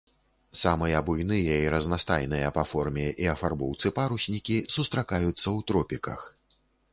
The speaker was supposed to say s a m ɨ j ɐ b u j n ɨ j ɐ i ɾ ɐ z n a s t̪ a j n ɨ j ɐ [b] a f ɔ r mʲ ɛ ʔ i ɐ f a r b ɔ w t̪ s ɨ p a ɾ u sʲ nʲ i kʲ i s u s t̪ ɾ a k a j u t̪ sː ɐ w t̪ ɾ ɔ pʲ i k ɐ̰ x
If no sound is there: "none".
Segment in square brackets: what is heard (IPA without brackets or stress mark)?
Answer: p